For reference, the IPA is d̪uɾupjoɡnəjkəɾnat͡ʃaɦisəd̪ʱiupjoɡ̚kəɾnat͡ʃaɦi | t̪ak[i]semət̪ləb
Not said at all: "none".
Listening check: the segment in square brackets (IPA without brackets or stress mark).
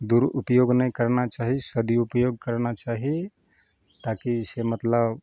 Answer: i